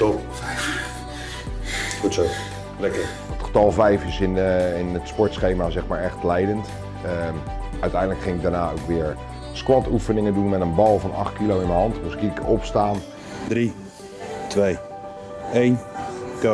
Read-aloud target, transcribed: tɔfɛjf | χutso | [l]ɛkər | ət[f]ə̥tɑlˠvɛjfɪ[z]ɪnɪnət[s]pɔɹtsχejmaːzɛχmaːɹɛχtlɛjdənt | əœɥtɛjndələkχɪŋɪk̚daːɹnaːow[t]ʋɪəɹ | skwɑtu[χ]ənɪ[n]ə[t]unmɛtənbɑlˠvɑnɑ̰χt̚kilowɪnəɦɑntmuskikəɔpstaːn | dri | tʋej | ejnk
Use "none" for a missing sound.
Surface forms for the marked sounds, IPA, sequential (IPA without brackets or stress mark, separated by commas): l, χ, s, s, k, f, ŋ, d